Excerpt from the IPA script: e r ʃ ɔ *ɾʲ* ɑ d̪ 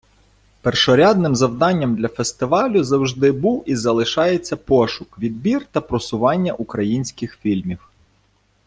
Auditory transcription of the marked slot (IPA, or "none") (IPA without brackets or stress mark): ɾʲ